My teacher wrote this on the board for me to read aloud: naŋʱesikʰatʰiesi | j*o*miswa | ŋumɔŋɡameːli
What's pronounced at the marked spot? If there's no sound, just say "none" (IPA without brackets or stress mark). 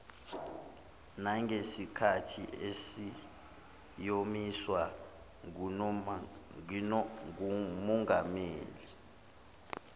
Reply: o